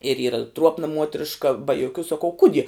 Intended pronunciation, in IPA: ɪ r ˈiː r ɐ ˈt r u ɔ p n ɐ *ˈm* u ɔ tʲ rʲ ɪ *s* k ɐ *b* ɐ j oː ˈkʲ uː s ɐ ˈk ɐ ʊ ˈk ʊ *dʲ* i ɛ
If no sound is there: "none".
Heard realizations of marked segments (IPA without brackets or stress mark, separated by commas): m, ʃ, b, dʲ